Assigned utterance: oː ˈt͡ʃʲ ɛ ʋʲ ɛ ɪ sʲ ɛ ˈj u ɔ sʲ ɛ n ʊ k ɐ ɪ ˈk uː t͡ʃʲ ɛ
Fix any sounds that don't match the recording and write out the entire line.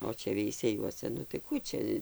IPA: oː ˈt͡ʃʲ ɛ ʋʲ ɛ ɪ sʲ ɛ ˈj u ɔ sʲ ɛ n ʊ t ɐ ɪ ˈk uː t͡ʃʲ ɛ